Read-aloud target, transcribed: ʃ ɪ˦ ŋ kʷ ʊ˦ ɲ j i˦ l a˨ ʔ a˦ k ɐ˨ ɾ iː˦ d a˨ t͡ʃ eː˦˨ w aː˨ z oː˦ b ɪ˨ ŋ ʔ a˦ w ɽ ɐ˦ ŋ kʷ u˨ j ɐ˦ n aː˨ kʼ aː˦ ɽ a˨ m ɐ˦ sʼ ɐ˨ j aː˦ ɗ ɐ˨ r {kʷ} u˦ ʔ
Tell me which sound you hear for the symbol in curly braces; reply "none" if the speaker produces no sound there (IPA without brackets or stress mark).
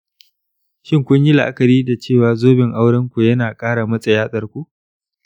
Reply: kʷ